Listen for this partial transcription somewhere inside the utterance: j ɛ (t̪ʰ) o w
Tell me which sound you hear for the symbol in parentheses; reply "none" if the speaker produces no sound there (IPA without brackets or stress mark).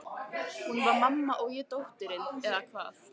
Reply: t̪